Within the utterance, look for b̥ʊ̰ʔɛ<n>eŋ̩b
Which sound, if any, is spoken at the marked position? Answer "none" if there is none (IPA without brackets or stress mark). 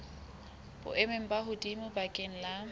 m